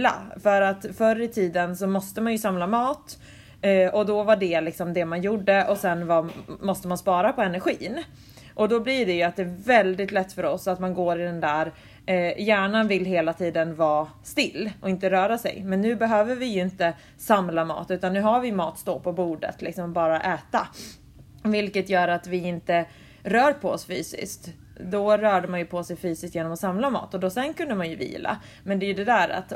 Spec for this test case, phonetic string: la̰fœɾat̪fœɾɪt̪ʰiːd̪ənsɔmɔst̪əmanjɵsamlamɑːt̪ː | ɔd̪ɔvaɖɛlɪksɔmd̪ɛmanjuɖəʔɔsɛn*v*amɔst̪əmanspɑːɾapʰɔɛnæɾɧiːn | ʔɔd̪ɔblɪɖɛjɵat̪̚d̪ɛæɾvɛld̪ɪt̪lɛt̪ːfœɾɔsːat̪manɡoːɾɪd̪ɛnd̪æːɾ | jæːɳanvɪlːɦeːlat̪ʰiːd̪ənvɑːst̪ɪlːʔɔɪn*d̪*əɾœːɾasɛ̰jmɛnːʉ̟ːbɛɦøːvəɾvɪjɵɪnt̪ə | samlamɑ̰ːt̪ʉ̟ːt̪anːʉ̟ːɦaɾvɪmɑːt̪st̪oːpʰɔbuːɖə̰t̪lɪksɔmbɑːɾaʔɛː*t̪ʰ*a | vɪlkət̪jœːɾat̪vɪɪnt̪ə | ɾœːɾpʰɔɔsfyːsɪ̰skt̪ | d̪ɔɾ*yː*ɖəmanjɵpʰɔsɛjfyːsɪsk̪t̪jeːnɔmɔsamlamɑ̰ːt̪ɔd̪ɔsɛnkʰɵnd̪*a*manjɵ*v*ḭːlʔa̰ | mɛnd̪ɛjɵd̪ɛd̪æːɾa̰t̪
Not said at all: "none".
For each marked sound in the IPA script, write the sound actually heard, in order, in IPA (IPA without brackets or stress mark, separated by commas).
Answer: v, t̪, t̪, œː, ə, v